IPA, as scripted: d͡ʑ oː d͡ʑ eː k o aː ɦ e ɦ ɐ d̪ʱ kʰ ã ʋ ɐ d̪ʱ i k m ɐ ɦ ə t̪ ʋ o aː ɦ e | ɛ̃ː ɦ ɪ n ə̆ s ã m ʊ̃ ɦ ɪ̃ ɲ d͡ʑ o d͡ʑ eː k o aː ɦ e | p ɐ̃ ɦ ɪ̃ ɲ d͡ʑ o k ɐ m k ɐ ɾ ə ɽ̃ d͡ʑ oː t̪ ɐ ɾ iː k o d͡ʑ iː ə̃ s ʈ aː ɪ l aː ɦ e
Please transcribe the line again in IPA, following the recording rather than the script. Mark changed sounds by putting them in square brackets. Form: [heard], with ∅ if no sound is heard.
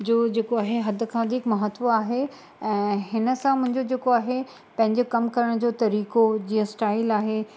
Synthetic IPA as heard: d͡ʑ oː d͡ʑ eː k o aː ɦ e ɦ ɐ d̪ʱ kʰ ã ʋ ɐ d̪ʱ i k m ɐ ɦ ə t̪ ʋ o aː ɦ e | ɛ̃ː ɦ ɪ n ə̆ s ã m ʊ̃ ɦ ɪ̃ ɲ d͡ʑ o d͡ʑ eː k o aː ɦ e | p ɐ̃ ɦ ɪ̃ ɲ d͡ʑ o k ɐ m k ɐ ɾ ə ɽ̃ d͡ʑ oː t̪ ɐ ɾ iː k o d͡ʑ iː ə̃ s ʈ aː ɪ l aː ɦ e

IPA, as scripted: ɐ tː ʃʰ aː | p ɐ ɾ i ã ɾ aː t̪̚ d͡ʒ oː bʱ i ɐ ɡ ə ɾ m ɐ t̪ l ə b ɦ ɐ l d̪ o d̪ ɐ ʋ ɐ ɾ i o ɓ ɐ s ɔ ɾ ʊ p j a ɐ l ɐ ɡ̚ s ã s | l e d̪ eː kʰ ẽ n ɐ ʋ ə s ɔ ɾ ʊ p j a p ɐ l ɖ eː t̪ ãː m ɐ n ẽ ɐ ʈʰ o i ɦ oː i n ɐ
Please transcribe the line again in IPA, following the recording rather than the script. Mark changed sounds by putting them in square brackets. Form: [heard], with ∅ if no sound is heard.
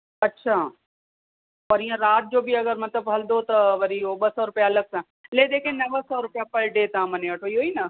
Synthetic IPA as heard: ɐ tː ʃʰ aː | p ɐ ɾ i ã ɾ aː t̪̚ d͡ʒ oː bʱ i ɐ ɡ ə ɾ m ɐ t̪ l ə b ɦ ɐ l d̪ o [t̪] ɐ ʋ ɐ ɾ i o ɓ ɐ s ɔ ɾ ʊ p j a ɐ l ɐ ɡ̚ s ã [∅] | l e d̪ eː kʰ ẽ n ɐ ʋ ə s ɔ ɾ ʊ p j a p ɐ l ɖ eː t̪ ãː m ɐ n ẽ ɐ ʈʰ o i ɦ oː i n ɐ

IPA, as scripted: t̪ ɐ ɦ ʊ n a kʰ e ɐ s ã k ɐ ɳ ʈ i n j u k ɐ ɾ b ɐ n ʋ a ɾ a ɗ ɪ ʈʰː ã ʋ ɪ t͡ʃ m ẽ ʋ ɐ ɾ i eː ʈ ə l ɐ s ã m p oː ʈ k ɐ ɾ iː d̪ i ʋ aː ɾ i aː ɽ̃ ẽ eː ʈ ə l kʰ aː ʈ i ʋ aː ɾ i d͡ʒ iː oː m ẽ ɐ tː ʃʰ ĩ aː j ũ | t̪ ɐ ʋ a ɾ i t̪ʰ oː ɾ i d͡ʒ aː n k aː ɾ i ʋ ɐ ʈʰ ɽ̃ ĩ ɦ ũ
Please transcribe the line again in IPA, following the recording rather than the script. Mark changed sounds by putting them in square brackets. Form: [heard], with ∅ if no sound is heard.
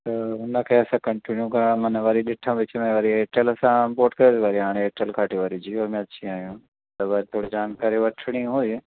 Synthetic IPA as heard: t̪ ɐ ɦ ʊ n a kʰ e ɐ s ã k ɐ ɳ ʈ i n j u k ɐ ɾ [m] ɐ n ʋ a ɾ [i] ɗ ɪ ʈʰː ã ʋ ɪ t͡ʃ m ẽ ʋ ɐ ɾ i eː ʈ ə l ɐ s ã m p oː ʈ k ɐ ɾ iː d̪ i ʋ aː ɾ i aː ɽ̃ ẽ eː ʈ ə l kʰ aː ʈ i ʋ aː ɾ i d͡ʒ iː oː m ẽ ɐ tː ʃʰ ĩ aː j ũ | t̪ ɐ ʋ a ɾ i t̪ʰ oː [ɽ] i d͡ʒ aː n k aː ɾ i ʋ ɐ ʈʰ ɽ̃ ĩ ɦ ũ

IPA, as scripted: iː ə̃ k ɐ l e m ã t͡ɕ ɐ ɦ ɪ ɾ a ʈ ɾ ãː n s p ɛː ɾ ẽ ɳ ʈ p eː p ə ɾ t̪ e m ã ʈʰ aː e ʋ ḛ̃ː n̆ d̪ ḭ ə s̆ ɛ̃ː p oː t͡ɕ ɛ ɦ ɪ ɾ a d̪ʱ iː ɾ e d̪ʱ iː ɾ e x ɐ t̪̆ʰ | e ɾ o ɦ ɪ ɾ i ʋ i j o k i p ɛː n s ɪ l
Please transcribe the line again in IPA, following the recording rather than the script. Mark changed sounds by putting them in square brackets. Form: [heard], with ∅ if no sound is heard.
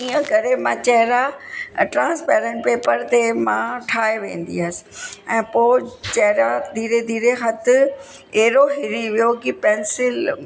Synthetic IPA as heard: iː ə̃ k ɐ [ɾ] e m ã t͡ɕ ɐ ɦ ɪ ɾ a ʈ ɾ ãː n s p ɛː ɾ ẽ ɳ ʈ p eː p ə ɾ t̪ e m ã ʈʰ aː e ʋ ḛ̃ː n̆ d̪ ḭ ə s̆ ɛ̃ː p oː t͡ɕ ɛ ɦ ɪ ɾ a d̪ʱ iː ɾ e d̪ʱ iː ɾ e x ɐ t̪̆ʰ | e ɾ o ɦ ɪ ɾ i ʋ i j o k i p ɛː n s ɪ l

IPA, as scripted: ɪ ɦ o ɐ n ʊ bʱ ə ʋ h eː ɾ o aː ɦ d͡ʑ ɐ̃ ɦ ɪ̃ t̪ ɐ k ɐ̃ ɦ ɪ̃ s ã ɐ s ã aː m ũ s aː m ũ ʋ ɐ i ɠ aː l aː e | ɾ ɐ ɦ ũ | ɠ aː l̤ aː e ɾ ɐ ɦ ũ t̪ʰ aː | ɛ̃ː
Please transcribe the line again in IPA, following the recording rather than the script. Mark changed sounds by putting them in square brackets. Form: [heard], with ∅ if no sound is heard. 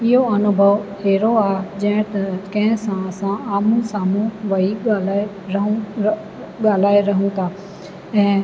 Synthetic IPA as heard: ɪ ɦ o ɐ n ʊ bʱ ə ʋ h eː ɾ o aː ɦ d͡ʑ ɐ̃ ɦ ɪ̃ t̪ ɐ k ɐ̃ ɦ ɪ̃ s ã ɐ s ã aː m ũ s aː m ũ ʋ ɐ i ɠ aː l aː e | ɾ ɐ ɦ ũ | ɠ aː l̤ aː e ɾ ɐ ɦ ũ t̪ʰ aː | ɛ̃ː

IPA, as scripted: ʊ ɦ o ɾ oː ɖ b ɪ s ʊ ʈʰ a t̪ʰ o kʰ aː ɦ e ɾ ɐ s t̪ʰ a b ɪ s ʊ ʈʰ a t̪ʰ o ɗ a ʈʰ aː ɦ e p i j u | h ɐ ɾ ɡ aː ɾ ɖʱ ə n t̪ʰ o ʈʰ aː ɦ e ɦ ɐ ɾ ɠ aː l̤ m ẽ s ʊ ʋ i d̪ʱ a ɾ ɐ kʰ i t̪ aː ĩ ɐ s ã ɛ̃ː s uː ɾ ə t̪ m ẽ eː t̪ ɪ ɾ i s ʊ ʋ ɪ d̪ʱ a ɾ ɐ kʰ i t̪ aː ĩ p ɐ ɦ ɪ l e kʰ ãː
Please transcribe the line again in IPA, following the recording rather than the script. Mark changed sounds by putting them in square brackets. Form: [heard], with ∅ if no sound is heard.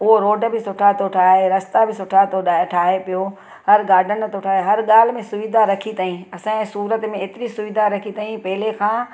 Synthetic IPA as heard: ʊ ɦ o ɾ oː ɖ b ɪ s ʊ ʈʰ a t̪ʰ o [ʈʰ] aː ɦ e ɾ ɐ s [t̪] a b ɪ s ʊ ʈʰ a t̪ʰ o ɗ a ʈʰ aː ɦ e p i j [o] | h ɐ ɾ ɡ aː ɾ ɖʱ ə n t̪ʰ o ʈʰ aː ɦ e ɦ ɐ ɾ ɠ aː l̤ m ẽ s ʊ ʋ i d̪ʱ a ɾ ɐ kʰ i t̪ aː ĩ ɐ s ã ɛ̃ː s uː ɾ ə t̪ m ẽ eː t̪ ɪ ɾ i s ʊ ʋ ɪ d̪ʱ a ɾ ɐ kʰ i t̪ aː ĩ p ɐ ɦ ɪ l e kʰ ãː

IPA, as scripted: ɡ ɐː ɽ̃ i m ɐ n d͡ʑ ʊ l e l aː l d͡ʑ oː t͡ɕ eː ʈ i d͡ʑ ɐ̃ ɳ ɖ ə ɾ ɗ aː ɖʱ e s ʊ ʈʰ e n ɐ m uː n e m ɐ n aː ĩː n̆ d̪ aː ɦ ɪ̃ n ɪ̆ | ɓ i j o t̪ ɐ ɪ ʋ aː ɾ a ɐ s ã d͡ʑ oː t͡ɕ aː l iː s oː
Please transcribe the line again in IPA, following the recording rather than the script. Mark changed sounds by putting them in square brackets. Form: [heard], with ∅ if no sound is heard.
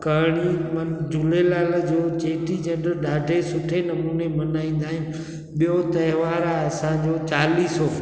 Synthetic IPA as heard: [k] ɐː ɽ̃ i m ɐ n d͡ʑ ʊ l e l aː l d͡ʑ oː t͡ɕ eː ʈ i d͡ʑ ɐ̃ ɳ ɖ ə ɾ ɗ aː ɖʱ e s ʊ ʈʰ e n ɐ m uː n e m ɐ n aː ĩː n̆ d̪ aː ɦ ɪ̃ n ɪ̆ | ɓ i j o t̪ ɐ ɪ ʋ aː ɾ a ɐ s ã d͡ʑ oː t͡ɕ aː l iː s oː

